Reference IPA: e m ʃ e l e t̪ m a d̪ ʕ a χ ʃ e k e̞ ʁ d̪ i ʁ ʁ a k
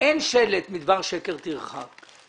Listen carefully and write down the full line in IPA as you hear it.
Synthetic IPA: e n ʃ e l e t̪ m i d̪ v a ʁ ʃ e k e̞ ʁ t̪ i ʁ χ a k